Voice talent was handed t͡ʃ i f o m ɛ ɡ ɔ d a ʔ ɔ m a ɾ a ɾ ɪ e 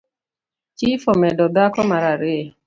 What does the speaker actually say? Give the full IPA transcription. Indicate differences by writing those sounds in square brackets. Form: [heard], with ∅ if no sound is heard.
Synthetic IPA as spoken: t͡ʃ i f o m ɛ [d] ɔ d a [k] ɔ m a ɾ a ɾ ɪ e